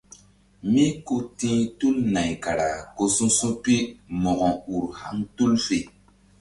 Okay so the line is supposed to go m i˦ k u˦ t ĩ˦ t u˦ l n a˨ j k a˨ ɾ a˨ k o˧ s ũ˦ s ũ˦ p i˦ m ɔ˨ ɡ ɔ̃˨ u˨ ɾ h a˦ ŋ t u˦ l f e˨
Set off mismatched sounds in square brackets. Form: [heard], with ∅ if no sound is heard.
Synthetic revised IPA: m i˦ k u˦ t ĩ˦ t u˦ l n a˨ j k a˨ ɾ a˨ k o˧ s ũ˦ s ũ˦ p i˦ m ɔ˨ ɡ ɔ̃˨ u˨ ɾ h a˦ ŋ t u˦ l f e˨